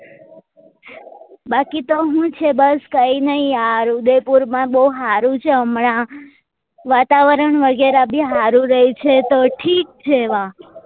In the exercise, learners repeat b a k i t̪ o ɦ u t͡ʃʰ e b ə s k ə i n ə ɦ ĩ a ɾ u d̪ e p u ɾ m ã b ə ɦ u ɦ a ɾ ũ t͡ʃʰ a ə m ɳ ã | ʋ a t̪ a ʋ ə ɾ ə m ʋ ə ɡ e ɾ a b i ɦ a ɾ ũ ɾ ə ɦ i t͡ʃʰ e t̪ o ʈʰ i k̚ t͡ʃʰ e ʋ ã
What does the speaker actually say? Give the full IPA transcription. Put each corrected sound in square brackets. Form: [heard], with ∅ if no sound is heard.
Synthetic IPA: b a k i t̪ o ɦ [ũ] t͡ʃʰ e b ə s k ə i n ə ɦ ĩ a ɾ u d̪ e p u ɾ m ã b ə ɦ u ɦ a ɾ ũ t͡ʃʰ [e] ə m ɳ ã | ʋ a t̪ a ʋ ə ɾ ə [ɳ] ʋ ə ɡ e ɾ a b i ɦ a ɾ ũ ɾ ə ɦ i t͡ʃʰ e t̪ o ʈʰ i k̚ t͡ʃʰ e ʋ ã

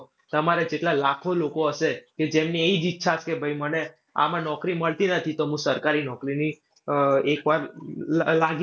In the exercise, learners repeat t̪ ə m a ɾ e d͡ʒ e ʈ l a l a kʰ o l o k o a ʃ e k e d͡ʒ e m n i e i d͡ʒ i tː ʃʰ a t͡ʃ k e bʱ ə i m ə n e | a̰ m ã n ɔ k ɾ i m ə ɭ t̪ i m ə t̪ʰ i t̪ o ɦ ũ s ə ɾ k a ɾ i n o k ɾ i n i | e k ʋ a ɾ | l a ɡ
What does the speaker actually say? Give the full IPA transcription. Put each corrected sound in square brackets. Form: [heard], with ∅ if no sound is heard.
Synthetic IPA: t̪ ə m a ɾ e d͡ʒ e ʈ l a l a kʰ o l o k o [ə] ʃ e k e d͡ʒ e m n i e i d͡ʒ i tː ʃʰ a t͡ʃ k e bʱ ə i m ə n e | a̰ m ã n ɔ k ɾ i m ə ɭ t̪ i [n] ə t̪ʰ i t̪ o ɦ ũ s ə ɾ k a ɾ i n [ɔ] k ɾ i n i | e k ʋ a ɾ | l a ɡ

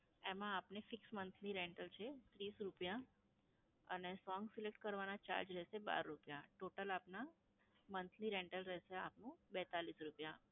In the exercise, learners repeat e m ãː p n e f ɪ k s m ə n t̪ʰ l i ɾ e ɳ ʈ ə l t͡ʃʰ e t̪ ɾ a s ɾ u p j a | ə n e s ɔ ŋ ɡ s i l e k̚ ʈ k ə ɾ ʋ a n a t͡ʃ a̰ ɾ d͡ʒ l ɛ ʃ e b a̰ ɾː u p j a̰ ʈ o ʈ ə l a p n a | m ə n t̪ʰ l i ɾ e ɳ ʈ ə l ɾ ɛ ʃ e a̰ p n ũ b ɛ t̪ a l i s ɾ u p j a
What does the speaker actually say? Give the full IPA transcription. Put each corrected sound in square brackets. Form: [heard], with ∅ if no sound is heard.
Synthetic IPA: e m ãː p n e f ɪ k s m ə n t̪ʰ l i ɾ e ɳ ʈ ə l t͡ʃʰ e t̪ ɾ [i] s ɾ u p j a | ə n e s ɔ ŋ ɡ s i l e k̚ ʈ k ə ɾ ʋ a n a t͡ʃ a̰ ɾ d͡ʒ [ɾ] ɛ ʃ e b a̰ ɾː u p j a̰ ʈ o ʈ ə l a p n a | m ə n t̪ʰ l i ɾ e ɳ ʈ ə l ɾ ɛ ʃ e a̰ p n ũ b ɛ t̪ a l i s ɾ u p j a

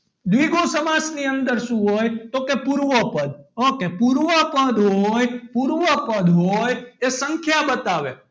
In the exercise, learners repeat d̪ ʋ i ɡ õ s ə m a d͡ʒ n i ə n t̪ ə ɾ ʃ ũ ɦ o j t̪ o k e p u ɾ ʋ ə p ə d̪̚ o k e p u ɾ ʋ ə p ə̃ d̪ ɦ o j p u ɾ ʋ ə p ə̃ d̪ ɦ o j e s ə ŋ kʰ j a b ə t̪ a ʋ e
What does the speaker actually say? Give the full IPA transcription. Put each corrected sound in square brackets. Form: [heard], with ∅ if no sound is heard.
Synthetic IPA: d̪ ʋ i ɡ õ s ə m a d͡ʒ n i ə n [d̪] ə ɾ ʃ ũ ɦ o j t̪ o k e p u ɾ ʋ ə p ə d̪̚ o k e p u ɾ ʋ ə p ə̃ d̪ ɦ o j p u ɾ ʋ ə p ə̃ d̪ ɦ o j e s ə ŋ kʰ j a b ə t̪ a ʋ e

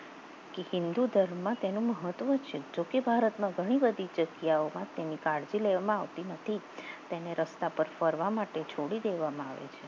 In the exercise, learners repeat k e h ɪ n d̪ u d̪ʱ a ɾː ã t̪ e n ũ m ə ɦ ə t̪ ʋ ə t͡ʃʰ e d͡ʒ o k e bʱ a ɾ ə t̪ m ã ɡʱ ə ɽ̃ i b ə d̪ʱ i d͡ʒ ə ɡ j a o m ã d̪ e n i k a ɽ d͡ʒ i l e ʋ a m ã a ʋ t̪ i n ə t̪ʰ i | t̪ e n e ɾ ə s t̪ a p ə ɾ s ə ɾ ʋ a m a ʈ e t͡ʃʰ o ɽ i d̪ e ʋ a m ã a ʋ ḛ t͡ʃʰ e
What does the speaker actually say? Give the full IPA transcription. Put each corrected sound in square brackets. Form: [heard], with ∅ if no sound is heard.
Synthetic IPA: k e h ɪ n d̪ u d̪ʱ [ə] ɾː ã t̪ e n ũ m ə ɦ ə t̪ ʋ ə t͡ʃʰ e d͡ʒ o k e bʱ a ɾ ə t̪ m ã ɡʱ ə ɽ̃ i b ə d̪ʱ i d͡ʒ ə ɡ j a o m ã [t̪] e n i k a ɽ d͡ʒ i l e ʋ a m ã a ʋ t̪ i n ə t̪ʰ i | t̪ e n e ɾ ə s t̪ a p ə ɾ [f] ə ɾ ʋ a m a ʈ e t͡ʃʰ o ɽ i d̪ e ʋ a m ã a ʋ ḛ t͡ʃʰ e

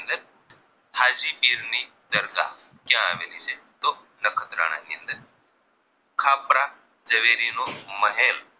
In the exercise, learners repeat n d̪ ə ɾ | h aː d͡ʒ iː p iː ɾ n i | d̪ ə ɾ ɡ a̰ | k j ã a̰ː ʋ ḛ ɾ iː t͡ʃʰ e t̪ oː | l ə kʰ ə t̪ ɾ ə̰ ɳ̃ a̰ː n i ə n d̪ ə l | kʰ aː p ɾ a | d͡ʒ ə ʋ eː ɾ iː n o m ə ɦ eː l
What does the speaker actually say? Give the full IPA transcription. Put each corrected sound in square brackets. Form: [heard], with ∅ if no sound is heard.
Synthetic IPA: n d̪ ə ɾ | h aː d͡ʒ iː p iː ɾ n i | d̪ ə ɾ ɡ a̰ | k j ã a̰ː ʋ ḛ [l] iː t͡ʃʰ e t̪ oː | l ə kʰ ə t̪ ɾ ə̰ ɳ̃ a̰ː n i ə n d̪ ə [ɾ] | kʰ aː p ɾ a | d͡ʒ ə ʋ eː ɾ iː n o m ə ɦ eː l

